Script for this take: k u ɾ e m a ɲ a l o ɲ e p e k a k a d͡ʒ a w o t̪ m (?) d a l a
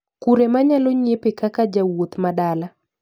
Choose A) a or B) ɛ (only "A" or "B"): A